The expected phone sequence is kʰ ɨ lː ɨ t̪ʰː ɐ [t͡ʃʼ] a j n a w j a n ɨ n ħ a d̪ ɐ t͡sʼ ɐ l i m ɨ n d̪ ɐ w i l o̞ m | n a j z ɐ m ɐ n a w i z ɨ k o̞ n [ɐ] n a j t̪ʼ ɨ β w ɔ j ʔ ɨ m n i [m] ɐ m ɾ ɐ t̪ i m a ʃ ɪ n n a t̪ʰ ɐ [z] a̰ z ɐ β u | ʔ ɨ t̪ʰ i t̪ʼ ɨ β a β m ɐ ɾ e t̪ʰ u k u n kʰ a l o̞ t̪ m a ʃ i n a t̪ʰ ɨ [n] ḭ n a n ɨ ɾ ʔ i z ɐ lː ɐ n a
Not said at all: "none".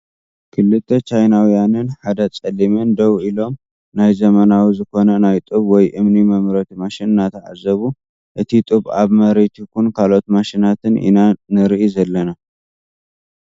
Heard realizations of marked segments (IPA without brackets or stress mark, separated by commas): t͡ʃ, ɐ, m, ʕ, n